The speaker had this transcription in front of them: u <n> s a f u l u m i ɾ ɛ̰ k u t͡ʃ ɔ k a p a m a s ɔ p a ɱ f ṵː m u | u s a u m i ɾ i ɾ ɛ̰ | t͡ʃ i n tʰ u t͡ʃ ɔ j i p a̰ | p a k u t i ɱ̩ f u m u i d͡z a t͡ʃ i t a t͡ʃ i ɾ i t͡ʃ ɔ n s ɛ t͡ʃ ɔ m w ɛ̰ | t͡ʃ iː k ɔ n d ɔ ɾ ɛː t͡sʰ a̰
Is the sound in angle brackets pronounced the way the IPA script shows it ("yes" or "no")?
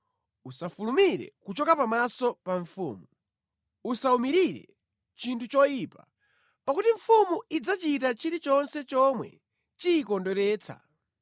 no